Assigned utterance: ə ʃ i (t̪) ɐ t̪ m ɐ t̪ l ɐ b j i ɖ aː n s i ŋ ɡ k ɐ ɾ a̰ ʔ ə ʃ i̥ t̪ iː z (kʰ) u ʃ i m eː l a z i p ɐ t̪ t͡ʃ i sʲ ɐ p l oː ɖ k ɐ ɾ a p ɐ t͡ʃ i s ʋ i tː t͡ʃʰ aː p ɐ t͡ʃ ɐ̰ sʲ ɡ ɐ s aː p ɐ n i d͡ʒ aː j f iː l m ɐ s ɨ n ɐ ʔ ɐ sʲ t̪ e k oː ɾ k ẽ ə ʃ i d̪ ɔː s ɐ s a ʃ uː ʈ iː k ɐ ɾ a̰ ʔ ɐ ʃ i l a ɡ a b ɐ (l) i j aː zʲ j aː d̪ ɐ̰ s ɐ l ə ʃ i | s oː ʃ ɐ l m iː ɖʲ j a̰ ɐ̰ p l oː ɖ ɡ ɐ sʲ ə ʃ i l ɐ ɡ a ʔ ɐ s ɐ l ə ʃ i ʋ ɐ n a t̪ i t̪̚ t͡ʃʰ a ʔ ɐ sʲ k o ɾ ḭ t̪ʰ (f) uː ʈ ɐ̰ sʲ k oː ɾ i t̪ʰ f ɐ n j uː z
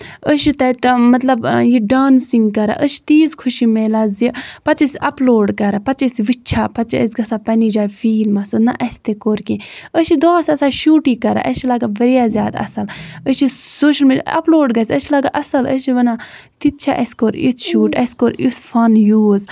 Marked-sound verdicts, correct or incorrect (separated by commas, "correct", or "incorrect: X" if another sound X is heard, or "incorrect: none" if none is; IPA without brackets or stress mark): correct, correct, incorrect: ɾ, incorrect: ʃ